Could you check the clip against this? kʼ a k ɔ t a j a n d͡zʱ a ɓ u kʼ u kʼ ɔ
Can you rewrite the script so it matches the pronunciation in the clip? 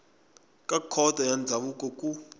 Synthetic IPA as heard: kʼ a kʰ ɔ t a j a n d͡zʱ a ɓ u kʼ ɔ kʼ u